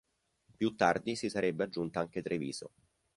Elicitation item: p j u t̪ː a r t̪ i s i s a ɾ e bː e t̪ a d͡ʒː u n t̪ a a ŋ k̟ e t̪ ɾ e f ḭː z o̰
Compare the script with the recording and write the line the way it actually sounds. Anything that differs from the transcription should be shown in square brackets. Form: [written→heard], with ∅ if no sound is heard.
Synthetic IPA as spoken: p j u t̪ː a r [t̪→d̪] i s i s a ɾ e bː e [t̪→∅] a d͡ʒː u n t̪ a a ŋ k̟ e t̪ ɾ e [f→v] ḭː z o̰